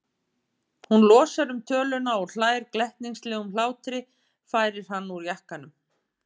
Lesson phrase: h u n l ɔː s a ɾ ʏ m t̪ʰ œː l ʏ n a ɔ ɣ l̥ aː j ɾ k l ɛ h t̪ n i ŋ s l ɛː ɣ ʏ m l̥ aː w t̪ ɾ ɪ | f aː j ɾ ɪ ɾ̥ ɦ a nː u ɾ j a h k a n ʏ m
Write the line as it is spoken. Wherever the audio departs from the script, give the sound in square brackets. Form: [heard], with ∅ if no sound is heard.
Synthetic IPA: h u n l ɔː s a ɾ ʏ m t̪ʰ œː l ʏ n a ɔ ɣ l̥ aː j ɾ k l ɛ h t̪ n i ŋ s l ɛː ɣ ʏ m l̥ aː w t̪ ɾ ɪ | f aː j ɾ ɪ ɾ̥ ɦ a nː u ɾ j a h k a n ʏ m